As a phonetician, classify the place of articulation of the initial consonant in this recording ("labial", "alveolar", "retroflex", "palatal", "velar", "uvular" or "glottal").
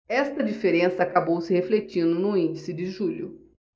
alveolar